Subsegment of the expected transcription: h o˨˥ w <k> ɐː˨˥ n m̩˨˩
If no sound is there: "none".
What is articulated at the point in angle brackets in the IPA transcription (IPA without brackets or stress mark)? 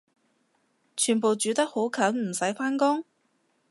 kʰ